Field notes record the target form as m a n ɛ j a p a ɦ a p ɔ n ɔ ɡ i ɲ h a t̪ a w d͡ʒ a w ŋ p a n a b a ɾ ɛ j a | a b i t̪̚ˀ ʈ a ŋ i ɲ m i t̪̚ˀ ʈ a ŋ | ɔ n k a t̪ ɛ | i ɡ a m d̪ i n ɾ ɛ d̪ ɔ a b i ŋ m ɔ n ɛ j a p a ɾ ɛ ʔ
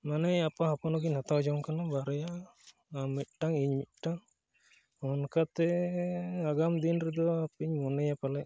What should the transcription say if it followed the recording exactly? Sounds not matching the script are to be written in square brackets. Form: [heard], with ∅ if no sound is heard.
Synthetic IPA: m a n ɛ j a p a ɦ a p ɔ n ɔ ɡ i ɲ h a t̪ a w d͡ʒ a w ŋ [k] a n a b a ɾ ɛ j a | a [m] i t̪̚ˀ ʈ a ŋ i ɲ m i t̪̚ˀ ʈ a ŋ | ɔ n k a t̪ ɛ | [a] ɡ a m d̪ i n ɾ ɛ d̪ ɔ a [p] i [ɲ] m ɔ n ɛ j a p a [l] ɛ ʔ

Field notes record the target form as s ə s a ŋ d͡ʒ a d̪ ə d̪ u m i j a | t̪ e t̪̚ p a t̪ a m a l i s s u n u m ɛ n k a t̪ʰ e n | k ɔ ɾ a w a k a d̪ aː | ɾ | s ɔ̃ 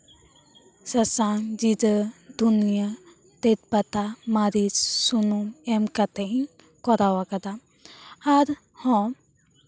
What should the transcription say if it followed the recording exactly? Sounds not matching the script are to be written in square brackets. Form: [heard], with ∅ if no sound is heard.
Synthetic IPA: s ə s a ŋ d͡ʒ [i] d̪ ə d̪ u [n] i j a | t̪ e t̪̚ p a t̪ a m a [ɾ] i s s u n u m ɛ [m] k a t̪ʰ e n | k ɔ ɾ a w a k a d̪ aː | ɾ | [h] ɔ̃

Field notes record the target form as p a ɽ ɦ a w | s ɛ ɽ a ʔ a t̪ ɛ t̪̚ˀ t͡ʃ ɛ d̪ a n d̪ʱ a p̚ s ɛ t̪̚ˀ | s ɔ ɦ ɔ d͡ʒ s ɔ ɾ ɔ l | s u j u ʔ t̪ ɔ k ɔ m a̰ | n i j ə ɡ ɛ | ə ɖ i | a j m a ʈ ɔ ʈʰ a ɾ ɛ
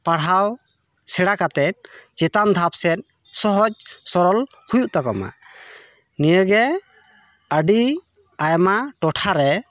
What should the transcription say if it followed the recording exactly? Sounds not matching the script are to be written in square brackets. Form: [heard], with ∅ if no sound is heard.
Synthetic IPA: p a ɽ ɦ a w | s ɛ ɽ a [k] a t̪ ɛ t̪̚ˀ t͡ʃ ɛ [t̪] a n d̪ʱ a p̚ s ɛ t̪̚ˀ | s ɔ ɦ ɔ d͡ʒ s ɔ ɾ ɔ l | [h] u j u ʔ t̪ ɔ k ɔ m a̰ | n i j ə ɡ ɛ | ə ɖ i | a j m a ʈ ɔ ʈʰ a ɾ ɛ

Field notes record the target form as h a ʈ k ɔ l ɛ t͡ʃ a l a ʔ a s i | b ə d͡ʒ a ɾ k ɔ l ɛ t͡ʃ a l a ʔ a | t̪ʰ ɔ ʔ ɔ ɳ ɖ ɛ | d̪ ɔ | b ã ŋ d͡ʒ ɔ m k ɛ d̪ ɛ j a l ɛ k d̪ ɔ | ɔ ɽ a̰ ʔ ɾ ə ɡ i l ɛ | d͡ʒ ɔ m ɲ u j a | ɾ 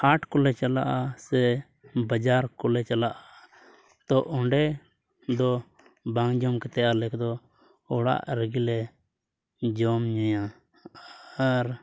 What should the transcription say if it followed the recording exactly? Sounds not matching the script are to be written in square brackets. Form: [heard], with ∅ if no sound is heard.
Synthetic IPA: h a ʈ k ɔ l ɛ t͡ʃ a l a ʔ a s [ɛ] | b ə d͡ʒ a ɾ k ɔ l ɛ t͡ʃ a l a ʔ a | [t̪] ɔ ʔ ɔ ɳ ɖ ɛ | d̪ ɔ | b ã ŋ d͡ʒ ɔ m k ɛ [t̪] ɛ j a l ɛ k d̪ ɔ | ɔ ɽ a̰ ʔ ɾ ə ɡ i l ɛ | d͡ʒ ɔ m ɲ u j a | ɾ

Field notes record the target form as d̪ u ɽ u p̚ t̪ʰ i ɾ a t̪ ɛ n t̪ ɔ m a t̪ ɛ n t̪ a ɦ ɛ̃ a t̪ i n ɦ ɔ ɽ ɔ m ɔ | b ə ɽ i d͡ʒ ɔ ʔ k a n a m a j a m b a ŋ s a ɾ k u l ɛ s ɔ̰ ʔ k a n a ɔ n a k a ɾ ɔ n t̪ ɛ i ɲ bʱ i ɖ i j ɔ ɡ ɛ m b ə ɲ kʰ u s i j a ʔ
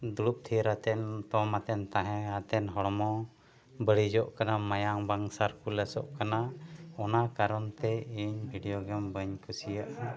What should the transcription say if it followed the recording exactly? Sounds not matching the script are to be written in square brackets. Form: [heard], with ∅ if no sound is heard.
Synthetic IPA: d̪ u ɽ u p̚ t̪ʰ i ɾ a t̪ ɛ n t̪ ɔ m a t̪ ɛ n t̪ a ɦ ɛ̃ a t̪ [ɛ] n ɦ ɔ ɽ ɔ m ɔ | b ə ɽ i d͡ʒ ɔ ʔ k a n a m a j a [ŋ] b a ŋ s a ɾ k u l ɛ s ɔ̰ ʔ k a n a ɔ n a k a ɾ ɔ n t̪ ɛ i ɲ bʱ i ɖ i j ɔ ɡ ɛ m b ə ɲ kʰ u s i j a ʔ

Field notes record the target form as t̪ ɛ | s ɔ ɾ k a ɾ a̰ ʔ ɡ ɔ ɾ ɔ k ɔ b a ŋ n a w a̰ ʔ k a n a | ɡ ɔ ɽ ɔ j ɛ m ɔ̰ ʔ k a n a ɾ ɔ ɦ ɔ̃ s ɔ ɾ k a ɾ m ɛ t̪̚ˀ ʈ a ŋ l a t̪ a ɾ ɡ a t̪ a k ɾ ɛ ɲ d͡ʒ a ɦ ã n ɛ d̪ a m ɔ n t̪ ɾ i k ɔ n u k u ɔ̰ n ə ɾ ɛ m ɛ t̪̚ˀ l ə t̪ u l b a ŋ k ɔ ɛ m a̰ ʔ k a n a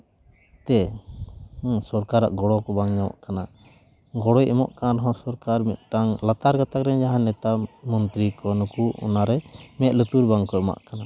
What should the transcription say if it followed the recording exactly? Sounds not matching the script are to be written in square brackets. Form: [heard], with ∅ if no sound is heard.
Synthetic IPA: t̪ ɛ | s ɔ ɾ k a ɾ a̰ ʔ ɡ ɔ [ɽ] ɔ k ɔ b a ŋ [ɲ] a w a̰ ʔ k a n a | ɡ ɔ ɽ ɔ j ɛ m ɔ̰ ʔ k a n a ɾ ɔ ɦ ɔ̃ s ɔ ɾ k a ɾ m ɛ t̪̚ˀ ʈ a ŋ l a t̪ a ɾ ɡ a t̪ a k ɾ ɛ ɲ d͡ʒ a ɦ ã n ɛ [t̪] a m ɔ n t̪ ɾ i k ɔ n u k u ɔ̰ n [a] ɾ ɛ m ɛ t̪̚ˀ l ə t̪ u [ɾ] b a ŋ k ɔ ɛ m a̰ ʔ k a n a

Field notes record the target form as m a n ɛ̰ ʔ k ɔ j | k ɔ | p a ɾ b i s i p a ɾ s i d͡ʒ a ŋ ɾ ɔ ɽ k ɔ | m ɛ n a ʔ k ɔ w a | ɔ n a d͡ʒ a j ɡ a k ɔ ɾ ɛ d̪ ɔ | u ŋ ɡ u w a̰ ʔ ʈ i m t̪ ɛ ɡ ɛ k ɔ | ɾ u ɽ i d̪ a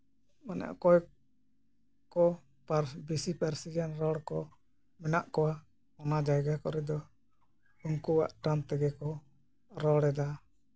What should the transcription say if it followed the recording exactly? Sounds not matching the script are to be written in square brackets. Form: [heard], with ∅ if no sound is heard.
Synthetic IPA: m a n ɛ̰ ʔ k ɔ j | k ɔ | p a ɾ b i s i p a ɾ s i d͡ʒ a [n] ɾ ɔ ɽ k ɔ | m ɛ n a ʔ k ɔ w a | ɔ n a d͡ʒ a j ɡ a k ɔ ɾ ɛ d̪ ɔ | u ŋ [k] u w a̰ ʔ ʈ [a] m t̪ ɛ ɡ ɛ k ɔ | ɾ [ɔ] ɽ [ɛ] d̪ a

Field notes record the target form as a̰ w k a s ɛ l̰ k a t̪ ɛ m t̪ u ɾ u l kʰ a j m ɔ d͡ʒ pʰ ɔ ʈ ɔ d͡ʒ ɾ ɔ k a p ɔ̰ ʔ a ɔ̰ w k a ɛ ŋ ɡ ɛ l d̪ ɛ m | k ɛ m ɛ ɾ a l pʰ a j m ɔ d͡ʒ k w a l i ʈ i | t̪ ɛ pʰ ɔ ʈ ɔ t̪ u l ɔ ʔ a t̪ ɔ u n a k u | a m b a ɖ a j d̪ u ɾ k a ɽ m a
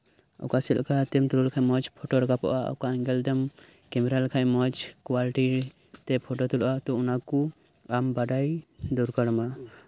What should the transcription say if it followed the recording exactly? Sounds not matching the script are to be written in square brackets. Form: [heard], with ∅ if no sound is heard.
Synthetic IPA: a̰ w k a s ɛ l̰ k a t̪ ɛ m t̪ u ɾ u l kʰ a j m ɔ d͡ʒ pʰ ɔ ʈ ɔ [∅] ɾ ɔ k a p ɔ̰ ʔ a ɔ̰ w k a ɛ ŋ ɡ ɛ l d̪ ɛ m | k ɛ m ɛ ɾ a l [kʰ] a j m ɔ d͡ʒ k w a l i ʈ i | t̪ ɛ pʰ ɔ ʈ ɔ t̪ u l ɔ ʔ a t̪ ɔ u n a k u | a m b a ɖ a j d̪ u ɾ k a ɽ m a

